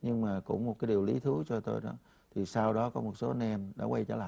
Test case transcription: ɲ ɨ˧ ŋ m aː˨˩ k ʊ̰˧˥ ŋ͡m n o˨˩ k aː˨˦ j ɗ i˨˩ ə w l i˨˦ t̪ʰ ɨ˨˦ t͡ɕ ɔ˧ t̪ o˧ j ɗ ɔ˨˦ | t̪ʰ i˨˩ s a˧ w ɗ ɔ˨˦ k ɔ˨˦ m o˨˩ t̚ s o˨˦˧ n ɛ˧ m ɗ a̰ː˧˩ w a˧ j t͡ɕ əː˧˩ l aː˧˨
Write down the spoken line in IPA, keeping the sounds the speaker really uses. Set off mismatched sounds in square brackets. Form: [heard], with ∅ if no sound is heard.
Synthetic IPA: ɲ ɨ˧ ŋ m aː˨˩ k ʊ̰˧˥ ŋ͡m [m] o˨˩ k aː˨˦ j ɗ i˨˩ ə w l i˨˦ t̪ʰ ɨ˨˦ t͡ɕ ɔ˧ t̪ o˧ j ɗ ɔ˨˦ | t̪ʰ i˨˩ s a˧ w ɗ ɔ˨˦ k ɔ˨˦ m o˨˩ t̚ s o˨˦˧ n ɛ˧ m ɗ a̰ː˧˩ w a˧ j t͡ɕ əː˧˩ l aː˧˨